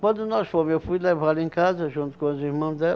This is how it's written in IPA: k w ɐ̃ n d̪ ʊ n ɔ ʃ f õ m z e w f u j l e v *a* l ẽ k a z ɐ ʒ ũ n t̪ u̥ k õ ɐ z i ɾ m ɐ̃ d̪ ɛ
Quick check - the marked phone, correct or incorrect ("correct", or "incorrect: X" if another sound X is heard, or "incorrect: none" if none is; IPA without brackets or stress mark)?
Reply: correct